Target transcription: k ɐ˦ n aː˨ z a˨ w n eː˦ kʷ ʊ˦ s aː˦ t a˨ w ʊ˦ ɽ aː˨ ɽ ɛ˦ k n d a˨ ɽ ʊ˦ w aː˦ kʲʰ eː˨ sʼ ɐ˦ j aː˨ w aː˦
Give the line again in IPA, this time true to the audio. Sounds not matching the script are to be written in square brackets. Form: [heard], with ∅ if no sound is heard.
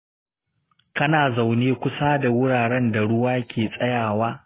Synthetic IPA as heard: k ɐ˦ n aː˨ z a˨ w n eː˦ kʷ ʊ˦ s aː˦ [d] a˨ w ʊ˦ ɽ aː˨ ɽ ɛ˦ [∅] n d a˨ ɽ ʊ˦ w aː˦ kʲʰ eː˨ sʼ ɐ˦ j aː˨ w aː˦